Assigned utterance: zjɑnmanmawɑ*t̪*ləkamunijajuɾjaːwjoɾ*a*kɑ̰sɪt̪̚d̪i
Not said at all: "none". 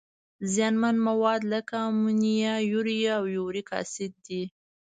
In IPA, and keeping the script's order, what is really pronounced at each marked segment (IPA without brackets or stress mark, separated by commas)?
d̪, i